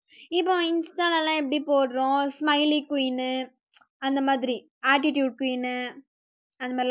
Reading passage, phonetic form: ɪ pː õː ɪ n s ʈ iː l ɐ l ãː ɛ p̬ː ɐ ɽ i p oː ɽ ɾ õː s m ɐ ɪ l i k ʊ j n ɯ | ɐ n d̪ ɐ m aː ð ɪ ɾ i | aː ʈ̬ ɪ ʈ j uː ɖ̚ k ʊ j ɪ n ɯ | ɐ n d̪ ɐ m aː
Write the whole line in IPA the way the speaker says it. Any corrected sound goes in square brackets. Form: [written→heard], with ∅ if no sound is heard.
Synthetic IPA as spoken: ɪ pː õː ɪ n s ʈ [iː→aː] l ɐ l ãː ɛ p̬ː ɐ ɽ i p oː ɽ ɾ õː s m ɐ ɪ l i k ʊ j n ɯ | ɐ n d̪ ɐ m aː ð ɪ ɾ i | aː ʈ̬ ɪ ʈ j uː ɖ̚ k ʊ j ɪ n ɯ | ɐ n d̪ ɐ m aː